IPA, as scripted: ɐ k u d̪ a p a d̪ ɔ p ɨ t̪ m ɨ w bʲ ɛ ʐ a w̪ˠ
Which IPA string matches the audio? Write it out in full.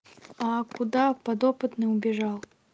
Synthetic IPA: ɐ k u d̪ a p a d̪ ɔ p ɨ t̪ n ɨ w bʲ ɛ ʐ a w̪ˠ